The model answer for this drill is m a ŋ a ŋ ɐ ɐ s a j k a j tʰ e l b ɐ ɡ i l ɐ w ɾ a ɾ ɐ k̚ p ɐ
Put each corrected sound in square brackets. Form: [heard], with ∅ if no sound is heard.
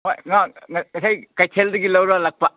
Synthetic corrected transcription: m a ŋ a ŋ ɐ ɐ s a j k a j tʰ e l [d] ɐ ɡ i l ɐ w ɾ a [l] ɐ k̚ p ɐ